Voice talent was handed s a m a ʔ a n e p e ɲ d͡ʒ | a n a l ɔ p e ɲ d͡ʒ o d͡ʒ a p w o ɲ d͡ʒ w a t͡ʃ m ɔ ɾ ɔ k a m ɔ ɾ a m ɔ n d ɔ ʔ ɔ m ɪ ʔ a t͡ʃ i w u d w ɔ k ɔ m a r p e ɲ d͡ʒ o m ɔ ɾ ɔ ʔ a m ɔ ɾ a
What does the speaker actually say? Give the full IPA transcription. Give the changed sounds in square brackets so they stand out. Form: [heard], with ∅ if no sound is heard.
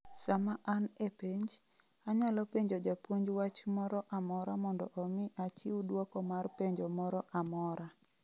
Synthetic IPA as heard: s a m a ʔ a n e p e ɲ d͡ʒ | a [ɲ] a l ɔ p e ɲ d͡ʒ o d͡ʒ a p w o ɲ d͡ʒ w a t͡ʃ m ɔ ɾ ɔ [ʔ] a m ɔ ɾ a m ɔ n d ɔ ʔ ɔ m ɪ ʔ a t͡ʃ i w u d w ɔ k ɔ m a r p e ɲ d͡ʒ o m ɔ ɾ ɔ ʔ a m ɔ ɾ a